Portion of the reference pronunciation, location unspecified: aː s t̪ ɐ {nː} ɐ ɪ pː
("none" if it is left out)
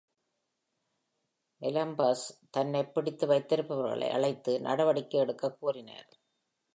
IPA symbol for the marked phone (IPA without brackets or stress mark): nː